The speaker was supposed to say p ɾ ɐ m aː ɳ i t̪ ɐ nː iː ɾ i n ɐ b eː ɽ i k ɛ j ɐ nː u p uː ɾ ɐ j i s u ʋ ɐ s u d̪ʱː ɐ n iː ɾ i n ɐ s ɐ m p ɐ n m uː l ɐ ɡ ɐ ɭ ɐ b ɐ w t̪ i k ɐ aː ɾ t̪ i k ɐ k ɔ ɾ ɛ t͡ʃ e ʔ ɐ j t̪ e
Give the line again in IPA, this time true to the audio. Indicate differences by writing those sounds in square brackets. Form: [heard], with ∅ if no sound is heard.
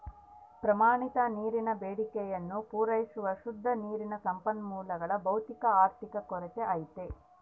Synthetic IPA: p ɾ ɐ m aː ɳ i t̪ ɐ [n] iː ɾ i n ɐ b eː ɽ i k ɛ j ɐ nː u p uː ɾ ɐ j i s u ʋ ɐ [ʃ] u d̪ʱː ɐ n iː ɾ i n ɐ s ɐ m p ɐ n m uː l ɐ ɡ ɐ ɭ ɐ b ɐ w t̪ i k ɐ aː ɾ t̪ i k ɐ k ɔ ɾ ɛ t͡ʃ e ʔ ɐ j t̪ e